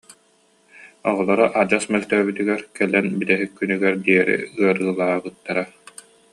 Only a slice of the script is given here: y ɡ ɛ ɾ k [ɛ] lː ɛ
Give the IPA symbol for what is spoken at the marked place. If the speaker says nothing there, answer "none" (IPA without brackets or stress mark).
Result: ɛ